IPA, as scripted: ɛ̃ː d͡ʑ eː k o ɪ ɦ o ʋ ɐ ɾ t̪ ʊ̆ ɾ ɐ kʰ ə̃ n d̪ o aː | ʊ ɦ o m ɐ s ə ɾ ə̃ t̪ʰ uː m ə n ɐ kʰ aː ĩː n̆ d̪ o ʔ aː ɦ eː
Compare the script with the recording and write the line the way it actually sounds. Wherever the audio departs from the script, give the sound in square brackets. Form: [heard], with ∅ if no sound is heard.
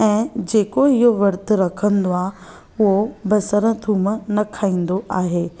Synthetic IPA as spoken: ɛ̃ː d͡ʑ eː k o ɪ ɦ o ʋ ɐ ɾ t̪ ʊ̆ ɾ ɐ kʰ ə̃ n d̪ o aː | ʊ ɦ o [b] ɐ s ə ɾ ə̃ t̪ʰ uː m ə n ɐ kʰ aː ĩː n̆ d̪ o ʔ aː ɦ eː